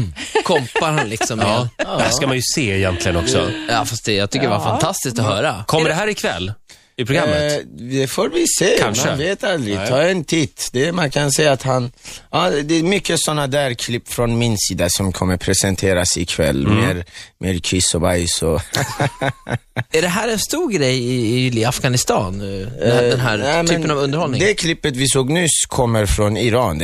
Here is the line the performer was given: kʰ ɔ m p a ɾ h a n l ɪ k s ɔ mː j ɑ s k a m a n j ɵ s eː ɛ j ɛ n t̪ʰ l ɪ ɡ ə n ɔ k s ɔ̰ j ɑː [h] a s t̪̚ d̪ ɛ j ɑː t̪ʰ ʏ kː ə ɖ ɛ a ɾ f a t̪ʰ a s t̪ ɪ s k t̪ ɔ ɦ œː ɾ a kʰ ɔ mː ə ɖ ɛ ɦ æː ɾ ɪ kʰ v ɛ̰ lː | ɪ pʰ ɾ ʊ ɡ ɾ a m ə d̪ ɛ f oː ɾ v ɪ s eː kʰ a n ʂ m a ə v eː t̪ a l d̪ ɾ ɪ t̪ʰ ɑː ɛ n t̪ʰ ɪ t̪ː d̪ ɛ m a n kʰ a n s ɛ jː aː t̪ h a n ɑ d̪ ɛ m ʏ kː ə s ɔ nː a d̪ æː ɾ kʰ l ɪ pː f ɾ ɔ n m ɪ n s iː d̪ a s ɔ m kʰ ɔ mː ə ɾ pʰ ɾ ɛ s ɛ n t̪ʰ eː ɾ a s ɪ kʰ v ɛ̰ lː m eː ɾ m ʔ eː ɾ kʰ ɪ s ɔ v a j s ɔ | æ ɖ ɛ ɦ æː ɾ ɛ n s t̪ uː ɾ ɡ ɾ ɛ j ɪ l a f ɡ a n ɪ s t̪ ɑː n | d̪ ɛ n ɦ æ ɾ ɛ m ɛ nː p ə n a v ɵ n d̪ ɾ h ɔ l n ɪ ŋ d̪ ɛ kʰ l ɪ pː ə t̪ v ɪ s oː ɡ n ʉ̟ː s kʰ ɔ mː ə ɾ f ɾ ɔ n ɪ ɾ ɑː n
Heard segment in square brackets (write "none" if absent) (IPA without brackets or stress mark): f